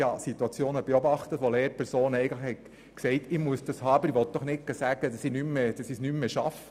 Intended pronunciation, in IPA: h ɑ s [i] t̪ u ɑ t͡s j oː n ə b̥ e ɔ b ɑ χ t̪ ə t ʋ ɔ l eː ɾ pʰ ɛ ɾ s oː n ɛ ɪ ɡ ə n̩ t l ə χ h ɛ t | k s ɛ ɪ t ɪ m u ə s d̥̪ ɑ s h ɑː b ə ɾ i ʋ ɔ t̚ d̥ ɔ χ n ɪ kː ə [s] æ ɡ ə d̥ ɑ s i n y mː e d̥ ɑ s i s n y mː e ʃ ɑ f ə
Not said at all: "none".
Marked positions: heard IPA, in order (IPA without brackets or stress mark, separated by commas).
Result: i, s